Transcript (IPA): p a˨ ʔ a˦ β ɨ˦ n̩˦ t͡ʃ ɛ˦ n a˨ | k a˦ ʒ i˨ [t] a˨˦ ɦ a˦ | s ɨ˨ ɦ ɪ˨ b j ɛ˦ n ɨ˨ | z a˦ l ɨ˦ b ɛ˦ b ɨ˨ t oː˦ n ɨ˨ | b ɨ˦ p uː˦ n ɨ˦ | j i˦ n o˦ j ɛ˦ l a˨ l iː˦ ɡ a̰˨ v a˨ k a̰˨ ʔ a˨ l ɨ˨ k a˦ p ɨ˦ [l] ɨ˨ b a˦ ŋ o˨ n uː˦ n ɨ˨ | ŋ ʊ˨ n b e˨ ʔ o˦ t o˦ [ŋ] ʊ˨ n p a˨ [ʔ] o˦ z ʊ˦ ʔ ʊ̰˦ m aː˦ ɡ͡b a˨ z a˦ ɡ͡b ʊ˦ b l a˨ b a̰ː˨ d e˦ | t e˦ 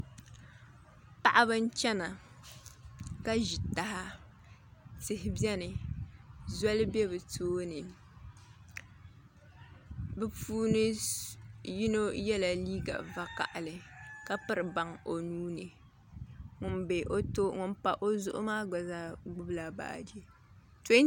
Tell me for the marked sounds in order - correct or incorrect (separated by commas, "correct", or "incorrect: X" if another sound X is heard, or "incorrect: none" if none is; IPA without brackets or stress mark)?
correct, incorrect: ɾ, correct, correct